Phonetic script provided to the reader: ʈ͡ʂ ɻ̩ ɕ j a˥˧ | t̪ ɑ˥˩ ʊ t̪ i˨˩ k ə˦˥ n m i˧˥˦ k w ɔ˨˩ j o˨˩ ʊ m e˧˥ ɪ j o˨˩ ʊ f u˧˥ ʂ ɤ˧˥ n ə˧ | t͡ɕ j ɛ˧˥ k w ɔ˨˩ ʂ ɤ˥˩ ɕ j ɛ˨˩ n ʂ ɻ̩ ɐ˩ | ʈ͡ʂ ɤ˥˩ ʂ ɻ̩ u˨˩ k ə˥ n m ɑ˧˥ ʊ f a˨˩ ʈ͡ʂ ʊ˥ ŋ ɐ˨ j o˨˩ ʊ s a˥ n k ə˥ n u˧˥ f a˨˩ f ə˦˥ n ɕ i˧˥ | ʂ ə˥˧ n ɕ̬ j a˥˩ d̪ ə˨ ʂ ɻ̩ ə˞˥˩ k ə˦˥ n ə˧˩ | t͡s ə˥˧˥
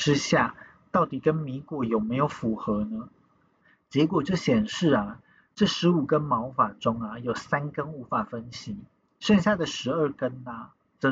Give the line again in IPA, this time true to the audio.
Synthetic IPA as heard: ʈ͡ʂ ɻ̩ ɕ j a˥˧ | t̪ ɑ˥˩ ʊ t̪ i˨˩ k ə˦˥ n m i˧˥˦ k w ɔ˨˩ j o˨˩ ʊ m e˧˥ ɪ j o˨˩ ʊ f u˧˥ x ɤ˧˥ n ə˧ | t͡ɕ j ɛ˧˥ k w ɔ˨˩ ʈ͡ʂ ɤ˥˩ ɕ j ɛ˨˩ n ʂ ɻ̩ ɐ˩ | ʈ͡ʂ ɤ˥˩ ʂ ɻ̩ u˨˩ k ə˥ n m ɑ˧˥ ʊ f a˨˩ ʈ͡ʂ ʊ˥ ŋ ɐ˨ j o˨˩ ʊ s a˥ n k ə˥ n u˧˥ f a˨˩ f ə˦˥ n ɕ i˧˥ | ʂ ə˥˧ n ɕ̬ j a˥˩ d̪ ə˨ ʂ ɻ̩ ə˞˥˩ k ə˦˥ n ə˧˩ | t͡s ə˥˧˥